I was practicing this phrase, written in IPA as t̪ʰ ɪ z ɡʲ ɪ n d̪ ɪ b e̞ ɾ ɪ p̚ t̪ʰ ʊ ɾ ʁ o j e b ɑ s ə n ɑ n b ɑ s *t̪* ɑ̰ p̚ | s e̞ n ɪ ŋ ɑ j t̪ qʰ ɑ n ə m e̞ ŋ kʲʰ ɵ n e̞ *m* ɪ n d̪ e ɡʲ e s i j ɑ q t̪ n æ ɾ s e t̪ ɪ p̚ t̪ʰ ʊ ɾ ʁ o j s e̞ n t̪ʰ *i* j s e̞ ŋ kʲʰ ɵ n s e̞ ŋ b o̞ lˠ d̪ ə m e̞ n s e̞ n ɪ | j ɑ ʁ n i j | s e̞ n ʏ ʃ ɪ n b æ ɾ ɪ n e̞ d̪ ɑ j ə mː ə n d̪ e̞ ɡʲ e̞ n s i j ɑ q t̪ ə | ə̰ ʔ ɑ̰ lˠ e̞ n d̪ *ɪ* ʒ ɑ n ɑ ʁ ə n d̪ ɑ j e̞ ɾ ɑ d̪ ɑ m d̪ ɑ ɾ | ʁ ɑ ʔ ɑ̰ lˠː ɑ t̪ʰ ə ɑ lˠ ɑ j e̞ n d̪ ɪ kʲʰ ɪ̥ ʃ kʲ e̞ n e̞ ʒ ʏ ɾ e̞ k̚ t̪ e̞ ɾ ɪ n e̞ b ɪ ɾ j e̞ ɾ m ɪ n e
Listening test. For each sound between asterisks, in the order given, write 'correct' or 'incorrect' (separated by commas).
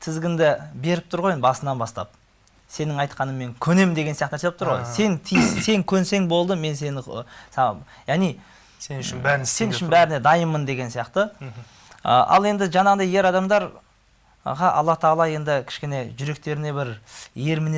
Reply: correct, correct, correct, correct